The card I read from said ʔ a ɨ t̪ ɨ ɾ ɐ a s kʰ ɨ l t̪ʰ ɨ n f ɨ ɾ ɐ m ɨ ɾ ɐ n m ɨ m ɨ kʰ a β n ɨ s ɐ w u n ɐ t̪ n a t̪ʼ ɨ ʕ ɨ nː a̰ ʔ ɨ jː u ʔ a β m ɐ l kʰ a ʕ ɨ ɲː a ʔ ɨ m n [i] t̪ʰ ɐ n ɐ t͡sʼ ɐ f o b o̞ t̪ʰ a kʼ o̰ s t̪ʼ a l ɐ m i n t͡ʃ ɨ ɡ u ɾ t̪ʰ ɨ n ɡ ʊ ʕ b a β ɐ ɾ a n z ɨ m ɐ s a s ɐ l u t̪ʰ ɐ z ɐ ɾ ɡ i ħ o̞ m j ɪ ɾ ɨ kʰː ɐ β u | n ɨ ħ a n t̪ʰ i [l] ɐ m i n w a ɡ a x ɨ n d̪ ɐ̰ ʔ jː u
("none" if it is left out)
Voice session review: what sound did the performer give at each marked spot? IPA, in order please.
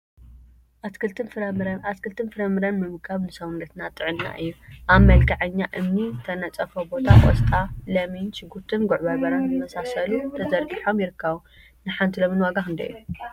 i, l

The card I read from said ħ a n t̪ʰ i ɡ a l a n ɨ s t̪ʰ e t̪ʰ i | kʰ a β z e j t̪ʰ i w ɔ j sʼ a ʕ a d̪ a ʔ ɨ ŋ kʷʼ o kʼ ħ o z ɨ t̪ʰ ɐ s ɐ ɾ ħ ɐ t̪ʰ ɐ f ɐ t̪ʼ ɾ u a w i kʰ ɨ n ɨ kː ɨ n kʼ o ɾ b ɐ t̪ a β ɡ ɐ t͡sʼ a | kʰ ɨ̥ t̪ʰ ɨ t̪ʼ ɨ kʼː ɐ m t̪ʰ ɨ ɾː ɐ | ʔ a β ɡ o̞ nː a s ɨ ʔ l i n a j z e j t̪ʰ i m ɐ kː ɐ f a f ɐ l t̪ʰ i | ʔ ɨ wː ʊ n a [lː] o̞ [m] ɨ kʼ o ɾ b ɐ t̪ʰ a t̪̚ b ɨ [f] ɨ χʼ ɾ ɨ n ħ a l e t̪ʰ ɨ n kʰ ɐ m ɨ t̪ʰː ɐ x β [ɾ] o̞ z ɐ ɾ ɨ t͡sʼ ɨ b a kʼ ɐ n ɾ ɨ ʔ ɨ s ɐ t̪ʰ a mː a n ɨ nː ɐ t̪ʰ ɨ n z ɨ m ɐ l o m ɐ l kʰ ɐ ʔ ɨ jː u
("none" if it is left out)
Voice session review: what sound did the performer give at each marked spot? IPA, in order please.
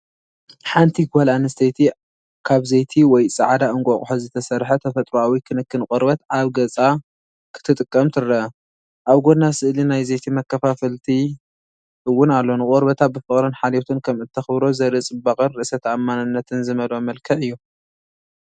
lː, n, f, ɾ

